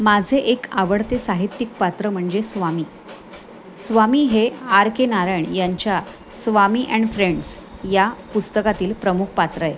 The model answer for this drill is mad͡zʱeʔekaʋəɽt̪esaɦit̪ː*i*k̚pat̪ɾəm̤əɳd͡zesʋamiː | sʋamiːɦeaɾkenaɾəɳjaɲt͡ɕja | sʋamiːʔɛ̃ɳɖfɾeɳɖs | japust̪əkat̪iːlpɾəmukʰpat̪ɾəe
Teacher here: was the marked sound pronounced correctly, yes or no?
yes